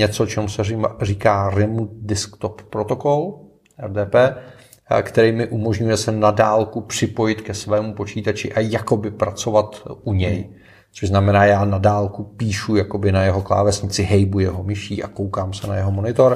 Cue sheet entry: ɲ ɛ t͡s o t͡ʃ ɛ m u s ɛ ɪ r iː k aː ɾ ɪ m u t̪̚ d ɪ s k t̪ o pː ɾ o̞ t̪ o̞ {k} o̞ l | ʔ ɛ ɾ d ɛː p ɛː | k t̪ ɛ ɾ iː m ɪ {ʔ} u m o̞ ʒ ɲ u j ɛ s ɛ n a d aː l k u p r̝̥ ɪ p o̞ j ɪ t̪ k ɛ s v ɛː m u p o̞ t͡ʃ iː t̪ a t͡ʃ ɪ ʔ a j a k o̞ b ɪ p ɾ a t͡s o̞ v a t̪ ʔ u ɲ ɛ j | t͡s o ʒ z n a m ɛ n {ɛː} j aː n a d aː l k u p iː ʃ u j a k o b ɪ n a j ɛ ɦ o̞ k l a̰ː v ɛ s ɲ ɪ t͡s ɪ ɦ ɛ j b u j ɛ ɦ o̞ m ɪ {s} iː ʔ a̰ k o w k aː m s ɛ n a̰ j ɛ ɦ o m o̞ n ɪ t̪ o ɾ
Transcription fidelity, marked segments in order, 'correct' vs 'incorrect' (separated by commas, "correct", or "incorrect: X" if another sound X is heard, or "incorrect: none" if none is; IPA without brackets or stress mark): correct, correct, incorrect: aː, incorrect: ʃ